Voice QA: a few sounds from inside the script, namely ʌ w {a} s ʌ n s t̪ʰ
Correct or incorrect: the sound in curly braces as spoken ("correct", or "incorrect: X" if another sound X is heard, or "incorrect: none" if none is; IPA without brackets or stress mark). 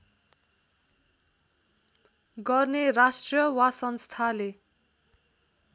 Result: correct